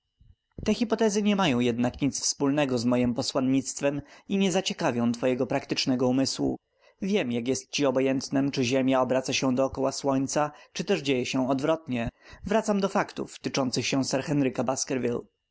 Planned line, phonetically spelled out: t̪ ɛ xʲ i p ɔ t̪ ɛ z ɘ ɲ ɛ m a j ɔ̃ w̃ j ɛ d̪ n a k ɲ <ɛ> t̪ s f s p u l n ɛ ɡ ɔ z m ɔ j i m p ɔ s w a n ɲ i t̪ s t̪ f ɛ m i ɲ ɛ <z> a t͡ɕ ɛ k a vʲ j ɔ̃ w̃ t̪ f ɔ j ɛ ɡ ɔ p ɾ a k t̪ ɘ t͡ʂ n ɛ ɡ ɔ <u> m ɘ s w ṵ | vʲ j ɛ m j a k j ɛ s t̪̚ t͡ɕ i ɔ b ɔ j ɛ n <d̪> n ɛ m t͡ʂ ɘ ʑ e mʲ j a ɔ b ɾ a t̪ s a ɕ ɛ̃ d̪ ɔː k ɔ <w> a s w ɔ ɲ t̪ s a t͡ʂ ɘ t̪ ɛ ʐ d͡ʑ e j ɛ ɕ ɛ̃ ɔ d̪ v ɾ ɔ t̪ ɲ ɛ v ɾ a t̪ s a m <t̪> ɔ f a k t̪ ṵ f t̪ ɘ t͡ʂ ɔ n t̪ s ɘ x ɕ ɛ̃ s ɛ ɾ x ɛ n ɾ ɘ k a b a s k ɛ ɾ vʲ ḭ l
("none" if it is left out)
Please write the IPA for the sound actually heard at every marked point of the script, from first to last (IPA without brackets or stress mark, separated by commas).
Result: i, z, u, t̪, w, d̪